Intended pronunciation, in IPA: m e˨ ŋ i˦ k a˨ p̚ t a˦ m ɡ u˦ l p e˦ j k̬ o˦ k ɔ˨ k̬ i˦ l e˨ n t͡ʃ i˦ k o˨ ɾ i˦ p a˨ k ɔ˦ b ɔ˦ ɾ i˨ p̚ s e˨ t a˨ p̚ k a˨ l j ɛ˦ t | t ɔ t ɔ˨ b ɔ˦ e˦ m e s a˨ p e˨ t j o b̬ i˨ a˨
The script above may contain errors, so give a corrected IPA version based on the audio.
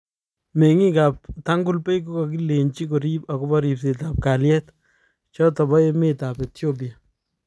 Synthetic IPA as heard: m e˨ ŋ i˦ k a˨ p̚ t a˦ ŋ ɡ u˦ l p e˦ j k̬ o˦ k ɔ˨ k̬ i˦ l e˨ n t͡ʃ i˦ k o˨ ɾ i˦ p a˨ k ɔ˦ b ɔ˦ ɾ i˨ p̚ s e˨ t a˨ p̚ k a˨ l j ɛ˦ t | t͡ʃ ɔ t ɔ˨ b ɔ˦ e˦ m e t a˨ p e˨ t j o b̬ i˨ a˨

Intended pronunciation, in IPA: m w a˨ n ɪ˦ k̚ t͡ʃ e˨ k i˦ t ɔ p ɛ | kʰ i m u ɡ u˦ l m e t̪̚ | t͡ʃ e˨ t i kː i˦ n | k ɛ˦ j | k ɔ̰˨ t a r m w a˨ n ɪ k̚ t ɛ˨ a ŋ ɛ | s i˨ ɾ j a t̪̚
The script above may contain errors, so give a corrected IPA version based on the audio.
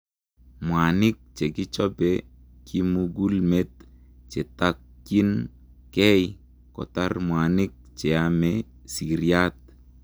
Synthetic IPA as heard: m w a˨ n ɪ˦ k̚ t͡ʃ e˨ k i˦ t͡ʃ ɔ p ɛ | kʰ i m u ɡ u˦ l m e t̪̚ | t͡ʃ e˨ t a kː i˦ n | k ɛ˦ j | k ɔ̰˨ t a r m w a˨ n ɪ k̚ t͡ʃ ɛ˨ a m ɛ | s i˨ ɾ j a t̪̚

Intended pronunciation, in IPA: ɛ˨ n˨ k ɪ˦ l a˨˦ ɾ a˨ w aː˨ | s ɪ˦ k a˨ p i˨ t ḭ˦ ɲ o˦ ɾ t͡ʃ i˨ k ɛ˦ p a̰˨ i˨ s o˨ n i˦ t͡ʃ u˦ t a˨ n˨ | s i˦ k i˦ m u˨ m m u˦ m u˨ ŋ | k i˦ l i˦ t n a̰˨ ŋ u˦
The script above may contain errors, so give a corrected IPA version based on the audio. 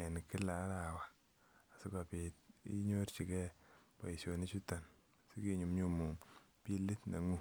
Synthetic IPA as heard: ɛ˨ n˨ k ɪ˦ l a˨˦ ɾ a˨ w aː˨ | s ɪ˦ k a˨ p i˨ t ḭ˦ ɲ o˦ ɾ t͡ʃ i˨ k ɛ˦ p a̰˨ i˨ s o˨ n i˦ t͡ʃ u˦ t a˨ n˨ | s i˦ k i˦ ɲ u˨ m ɲ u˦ m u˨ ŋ | p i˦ l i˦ t n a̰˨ ŋ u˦

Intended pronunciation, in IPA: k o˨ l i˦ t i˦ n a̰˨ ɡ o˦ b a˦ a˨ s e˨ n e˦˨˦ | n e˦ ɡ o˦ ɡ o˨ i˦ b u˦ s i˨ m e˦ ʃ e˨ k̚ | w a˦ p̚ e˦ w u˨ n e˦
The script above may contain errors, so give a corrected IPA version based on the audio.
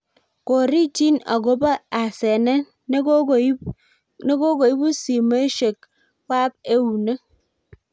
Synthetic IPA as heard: k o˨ ɾ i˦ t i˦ n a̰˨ ɡ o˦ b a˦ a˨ s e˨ n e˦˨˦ | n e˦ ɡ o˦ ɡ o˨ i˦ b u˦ s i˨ m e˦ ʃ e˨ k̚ | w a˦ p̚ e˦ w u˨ n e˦

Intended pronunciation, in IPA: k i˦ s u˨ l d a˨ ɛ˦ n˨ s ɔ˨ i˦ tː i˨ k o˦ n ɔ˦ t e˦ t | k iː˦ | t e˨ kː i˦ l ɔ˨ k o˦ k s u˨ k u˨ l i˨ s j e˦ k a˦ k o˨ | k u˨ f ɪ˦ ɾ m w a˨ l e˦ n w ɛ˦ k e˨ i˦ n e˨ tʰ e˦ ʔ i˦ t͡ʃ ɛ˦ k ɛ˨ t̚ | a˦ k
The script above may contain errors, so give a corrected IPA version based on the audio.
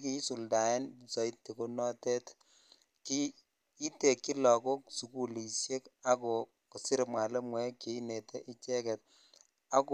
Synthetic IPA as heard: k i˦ s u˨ l d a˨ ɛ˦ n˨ s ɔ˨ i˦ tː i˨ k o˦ n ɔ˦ t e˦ t | k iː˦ | t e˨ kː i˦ l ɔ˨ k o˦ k s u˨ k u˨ l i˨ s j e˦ k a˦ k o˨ | k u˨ s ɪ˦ ɾ m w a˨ l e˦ m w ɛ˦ k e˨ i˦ n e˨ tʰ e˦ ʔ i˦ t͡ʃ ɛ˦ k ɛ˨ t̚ | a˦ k

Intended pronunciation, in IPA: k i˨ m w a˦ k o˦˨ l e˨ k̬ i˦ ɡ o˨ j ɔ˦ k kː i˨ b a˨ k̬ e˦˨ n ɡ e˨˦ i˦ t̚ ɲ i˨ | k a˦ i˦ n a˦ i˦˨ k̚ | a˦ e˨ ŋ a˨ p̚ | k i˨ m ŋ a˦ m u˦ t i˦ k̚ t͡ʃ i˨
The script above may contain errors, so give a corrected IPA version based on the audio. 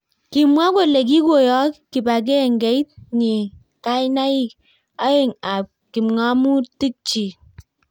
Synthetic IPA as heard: k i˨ m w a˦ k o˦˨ l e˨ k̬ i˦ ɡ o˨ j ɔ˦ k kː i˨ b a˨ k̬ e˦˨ ŋ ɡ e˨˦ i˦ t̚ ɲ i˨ | k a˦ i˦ n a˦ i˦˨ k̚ | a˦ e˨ ŋ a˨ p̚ | k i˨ m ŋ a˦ m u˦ t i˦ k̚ t͡ʃ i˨

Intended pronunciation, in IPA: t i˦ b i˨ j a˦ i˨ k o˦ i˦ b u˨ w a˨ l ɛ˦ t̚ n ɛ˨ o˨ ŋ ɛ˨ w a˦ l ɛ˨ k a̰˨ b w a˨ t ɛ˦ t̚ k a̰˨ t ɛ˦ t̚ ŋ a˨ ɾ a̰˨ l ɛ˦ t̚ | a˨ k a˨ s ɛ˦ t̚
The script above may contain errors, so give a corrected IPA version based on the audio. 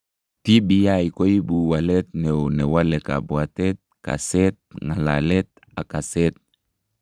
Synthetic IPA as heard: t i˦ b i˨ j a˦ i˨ k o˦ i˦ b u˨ w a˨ l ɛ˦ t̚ n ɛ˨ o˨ n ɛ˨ w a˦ l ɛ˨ k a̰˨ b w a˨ t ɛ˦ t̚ k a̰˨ s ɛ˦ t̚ ŋ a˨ l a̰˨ l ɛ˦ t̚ | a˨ k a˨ s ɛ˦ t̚

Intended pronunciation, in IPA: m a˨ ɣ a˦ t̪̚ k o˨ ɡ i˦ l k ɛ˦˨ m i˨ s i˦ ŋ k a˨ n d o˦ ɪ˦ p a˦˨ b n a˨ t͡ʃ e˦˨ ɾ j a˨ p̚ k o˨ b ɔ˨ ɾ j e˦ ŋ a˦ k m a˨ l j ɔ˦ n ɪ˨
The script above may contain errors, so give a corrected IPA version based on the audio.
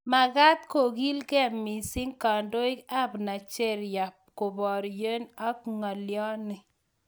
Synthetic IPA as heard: m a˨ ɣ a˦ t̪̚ k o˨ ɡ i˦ l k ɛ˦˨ m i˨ s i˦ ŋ k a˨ n d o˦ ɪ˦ k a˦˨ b n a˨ t͡ʃ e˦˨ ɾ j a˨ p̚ k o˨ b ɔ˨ ɾ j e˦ n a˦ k ŋ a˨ l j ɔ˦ n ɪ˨

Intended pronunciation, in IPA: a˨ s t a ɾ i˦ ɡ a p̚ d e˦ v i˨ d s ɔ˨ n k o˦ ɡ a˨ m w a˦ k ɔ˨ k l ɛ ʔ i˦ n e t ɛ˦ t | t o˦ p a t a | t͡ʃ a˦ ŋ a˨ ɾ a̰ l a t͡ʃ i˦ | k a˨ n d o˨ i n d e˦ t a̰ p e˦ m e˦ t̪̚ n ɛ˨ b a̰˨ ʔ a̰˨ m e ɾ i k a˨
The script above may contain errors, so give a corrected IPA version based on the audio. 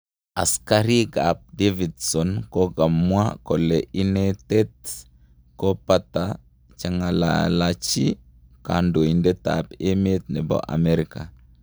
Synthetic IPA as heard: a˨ s k a ɾ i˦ ɡ a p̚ d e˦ v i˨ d s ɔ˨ n k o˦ ɡ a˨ m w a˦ k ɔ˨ l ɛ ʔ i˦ n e t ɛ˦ t | k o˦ p a t a | t͡ʃ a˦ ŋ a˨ l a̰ l a t͡ʃ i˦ | k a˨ n d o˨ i n d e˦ t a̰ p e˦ m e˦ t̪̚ n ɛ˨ b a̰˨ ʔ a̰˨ m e ɾ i k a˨

